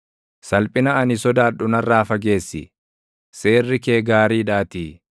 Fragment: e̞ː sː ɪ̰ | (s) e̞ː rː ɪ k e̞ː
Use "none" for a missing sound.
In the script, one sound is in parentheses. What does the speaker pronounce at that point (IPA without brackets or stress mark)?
s